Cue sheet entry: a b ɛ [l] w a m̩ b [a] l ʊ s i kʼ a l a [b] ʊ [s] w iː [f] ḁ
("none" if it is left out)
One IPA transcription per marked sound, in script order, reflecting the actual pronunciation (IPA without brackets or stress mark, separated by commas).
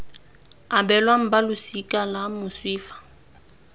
l, a, m, s, f